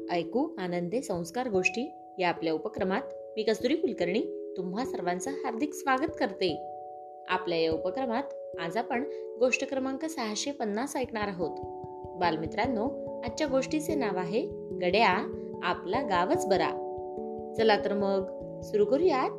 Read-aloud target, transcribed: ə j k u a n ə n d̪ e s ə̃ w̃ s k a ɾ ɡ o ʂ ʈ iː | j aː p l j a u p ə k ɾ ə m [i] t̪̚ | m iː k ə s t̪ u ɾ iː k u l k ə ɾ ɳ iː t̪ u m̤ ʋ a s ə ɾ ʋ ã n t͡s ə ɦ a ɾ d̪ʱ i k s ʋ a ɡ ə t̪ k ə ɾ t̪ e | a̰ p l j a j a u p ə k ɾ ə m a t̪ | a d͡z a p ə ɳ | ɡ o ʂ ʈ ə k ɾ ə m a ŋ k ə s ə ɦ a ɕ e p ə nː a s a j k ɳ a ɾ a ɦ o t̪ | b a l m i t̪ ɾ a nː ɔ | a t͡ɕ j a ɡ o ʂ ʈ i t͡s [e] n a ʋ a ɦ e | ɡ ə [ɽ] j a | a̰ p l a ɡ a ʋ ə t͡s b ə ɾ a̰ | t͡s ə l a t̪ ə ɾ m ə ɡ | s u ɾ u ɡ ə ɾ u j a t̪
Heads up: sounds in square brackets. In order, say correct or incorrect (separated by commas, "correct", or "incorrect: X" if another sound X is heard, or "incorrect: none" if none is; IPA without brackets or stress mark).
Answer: incorrect: a, correct, correct